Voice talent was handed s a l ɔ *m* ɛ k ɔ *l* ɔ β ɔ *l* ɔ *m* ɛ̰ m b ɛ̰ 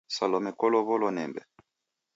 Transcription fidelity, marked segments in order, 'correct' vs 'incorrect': correct, correct, correct, incorrect

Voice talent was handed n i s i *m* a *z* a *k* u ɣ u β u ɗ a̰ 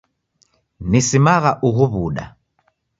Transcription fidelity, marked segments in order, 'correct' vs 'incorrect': correct, incorrect, incorrect

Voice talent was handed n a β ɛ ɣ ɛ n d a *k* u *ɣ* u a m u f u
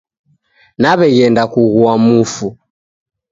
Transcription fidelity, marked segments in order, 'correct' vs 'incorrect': correct, correct

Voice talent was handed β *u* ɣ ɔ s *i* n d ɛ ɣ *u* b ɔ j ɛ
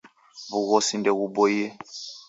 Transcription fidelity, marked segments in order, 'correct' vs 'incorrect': correct, correct, correct

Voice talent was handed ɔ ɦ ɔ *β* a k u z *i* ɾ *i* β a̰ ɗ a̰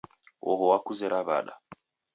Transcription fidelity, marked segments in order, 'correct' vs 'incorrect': incorrect, incorrect, incorrect

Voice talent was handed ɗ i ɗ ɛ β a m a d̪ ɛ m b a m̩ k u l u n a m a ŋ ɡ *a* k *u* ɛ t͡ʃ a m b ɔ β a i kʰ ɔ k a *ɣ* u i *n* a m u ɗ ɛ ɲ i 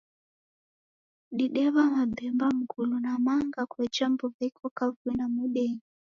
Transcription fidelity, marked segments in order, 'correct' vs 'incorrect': correct, incorrect, incorrect, correct

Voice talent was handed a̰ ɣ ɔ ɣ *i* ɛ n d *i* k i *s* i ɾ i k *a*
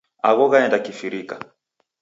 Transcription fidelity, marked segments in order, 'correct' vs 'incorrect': incorrect, incorrect, incorrect, correct

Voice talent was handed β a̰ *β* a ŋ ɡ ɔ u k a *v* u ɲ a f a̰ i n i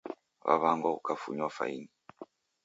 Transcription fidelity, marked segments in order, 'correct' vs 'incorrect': correct, incorrect

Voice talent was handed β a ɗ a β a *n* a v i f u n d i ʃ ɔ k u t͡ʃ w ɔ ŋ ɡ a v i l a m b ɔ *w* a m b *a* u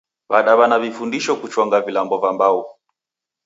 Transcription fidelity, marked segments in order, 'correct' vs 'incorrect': correct, incorrect, correct

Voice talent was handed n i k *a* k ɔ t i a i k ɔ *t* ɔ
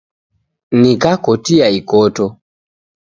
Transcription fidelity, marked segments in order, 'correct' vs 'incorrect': correct, correct

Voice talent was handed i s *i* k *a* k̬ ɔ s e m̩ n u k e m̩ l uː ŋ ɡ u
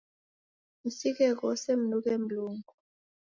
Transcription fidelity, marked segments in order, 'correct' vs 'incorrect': correct, incorrect

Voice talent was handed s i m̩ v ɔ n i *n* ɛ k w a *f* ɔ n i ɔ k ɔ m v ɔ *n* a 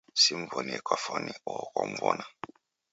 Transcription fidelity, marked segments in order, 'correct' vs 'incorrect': incorrect, correct, correct

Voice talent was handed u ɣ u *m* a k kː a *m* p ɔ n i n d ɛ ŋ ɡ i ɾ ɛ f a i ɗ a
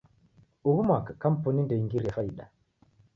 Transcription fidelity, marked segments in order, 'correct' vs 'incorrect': correct, correct

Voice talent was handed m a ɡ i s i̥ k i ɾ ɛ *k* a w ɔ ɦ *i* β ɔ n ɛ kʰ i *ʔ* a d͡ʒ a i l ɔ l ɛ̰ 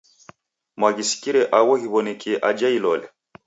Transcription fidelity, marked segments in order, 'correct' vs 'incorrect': incorrect, correct, correct

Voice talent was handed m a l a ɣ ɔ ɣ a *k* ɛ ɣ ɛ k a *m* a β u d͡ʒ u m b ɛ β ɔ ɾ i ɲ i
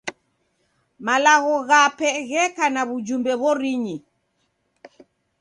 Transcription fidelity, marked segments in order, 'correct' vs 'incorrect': incorrect, incorrect

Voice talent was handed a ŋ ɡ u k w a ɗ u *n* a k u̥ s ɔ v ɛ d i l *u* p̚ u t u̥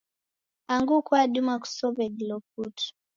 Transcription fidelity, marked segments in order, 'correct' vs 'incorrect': incorrect, incorrect

